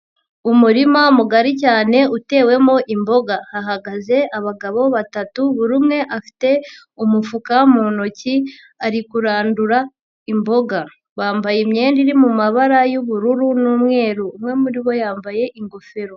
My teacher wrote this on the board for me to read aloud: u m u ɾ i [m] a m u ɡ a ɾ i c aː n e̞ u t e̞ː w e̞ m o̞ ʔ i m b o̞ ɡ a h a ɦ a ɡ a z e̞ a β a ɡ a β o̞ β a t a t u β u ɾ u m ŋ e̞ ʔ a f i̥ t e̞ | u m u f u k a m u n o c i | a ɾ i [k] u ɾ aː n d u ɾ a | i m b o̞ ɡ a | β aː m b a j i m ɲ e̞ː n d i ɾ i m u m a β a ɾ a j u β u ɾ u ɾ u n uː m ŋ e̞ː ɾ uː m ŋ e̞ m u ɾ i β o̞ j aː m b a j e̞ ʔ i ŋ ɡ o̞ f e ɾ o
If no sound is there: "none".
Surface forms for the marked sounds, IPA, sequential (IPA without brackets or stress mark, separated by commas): m, k